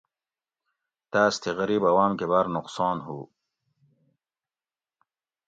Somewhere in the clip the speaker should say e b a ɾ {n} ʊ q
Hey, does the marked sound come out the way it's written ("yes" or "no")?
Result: yes